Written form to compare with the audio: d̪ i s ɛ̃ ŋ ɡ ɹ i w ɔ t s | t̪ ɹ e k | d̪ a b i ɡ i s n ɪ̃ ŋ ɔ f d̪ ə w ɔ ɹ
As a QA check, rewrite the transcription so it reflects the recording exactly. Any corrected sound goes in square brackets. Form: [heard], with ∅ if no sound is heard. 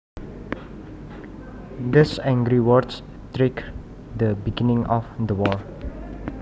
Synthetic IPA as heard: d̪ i s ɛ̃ ŋ ɡ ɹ i w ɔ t s | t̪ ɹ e k | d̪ [ə] b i ɡ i [∅] n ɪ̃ ŋ ɔ f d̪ ə w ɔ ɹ